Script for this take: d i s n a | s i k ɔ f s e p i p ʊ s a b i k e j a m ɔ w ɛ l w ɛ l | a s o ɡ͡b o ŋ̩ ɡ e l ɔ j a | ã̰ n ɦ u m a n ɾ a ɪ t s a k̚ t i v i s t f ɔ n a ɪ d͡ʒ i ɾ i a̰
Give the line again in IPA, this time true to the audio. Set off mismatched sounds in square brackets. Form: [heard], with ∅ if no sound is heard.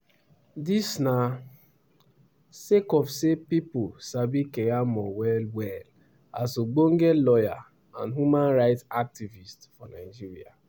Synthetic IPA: d i s n a | s [e] k ɔ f s e p i p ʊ s a b i k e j a m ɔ w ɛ l w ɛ l | a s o ɡ͡b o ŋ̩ ɡ e l ɔ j a | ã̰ n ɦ u m a n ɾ a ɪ t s a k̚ t i v i s t f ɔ n a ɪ d͡ʒ i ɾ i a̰